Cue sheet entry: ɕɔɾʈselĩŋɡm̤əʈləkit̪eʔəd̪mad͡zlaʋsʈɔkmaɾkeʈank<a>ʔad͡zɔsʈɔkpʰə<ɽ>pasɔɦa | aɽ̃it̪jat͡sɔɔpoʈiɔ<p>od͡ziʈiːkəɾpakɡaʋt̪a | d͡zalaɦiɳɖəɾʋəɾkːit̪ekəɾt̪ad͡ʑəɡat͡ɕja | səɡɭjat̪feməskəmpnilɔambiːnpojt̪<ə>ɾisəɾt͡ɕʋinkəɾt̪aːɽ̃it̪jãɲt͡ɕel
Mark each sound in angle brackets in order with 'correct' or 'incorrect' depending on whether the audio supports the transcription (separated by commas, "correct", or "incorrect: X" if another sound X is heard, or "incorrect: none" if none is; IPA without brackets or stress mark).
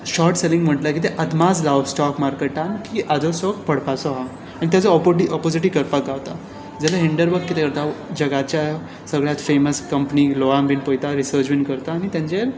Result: incorrect: i, correct, correct, incorrect: a